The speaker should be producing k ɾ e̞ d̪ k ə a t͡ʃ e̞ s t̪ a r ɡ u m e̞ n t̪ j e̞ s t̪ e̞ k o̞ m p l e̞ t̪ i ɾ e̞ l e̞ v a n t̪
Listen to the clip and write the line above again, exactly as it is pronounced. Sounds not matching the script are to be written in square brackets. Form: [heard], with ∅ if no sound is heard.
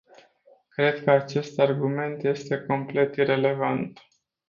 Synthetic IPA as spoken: k ɾ e̞ d̪ k ə a t͡ʃ e̞ s t̪ a r ɡ u m e̞ n t̪ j e̞ s t̪ e̞ k o̞ m p l e̞ t̪ i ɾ e̞ l e̞ v a n t̪